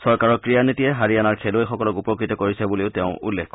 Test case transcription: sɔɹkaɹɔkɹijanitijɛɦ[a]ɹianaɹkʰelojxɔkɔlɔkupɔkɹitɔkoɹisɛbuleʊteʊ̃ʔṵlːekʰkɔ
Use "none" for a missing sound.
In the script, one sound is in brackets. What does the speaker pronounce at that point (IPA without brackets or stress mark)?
a